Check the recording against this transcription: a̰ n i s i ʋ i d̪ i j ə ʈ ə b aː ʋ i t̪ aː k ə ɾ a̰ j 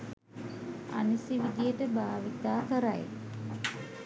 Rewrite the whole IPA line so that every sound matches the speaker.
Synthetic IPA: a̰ n i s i ʋ i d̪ i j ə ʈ ə b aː ʋ i t̪ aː k ə ɾ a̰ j